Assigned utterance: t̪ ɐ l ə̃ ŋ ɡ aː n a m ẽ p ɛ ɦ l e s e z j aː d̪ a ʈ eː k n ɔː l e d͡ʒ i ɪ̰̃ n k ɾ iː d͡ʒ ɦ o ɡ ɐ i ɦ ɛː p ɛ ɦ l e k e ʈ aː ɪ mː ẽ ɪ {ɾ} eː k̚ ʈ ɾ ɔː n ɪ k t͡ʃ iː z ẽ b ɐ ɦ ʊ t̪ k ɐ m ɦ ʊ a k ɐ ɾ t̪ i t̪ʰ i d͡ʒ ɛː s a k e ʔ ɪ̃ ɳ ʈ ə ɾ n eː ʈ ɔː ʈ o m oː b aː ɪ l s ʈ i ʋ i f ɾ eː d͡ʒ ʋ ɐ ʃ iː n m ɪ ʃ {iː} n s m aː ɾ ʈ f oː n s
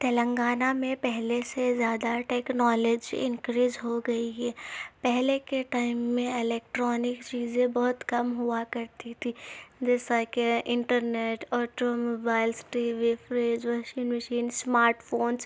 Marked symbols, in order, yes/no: no, yes

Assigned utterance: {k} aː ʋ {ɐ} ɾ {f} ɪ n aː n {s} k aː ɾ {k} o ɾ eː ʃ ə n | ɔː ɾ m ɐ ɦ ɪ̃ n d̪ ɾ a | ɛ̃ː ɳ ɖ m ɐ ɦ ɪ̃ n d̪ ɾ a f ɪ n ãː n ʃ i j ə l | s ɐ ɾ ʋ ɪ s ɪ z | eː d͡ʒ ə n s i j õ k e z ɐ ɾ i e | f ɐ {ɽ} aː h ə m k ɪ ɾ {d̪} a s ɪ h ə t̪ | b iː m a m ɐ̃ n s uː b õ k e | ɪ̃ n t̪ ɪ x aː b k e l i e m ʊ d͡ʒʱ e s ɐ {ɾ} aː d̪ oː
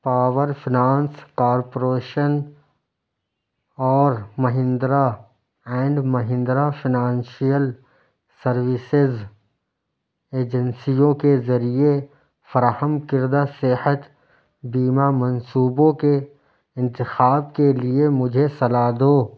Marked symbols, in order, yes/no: no, no, yes, yes, no, no, yes, no

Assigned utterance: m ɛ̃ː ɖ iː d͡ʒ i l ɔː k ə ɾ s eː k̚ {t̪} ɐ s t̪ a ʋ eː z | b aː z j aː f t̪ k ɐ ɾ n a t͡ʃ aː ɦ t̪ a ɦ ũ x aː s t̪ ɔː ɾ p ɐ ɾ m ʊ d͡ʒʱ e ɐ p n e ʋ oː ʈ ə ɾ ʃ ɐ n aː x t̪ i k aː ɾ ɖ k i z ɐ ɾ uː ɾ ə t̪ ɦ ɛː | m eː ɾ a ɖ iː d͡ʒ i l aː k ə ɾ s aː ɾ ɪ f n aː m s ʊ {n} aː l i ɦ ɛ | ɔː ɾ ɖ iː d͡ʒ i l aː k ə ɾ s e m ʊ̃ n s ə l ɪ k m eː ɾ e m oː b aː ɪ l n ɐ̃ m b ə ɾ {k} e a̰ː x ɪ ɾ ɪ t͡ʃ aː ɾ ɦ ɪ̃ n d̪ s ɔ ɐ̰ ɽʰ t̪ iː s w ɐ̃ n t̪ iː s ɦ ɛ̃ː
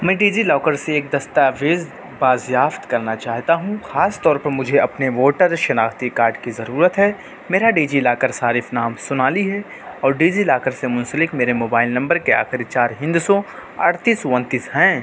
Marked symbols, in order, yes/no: no, yes, yes

